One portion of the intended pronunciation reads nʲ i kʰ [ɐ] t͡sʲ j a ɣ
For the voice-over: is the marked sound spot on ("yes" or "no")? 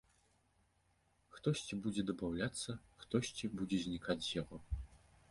no